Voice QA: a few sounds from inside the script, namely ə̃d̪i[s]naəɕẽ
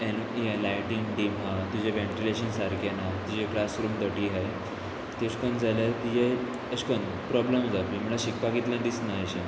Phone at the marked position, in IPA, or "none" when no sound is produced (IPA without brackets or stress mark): s